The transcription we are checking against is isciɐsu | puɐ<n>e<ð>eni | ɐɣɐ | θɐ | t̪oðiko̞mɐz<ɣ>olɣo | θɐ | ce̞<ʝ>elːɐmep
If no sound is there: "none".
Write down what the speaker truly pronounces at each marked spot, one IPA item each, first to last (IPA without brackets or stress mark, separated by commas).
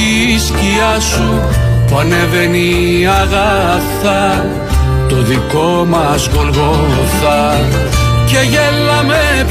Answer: n, v, ɣ, ʝ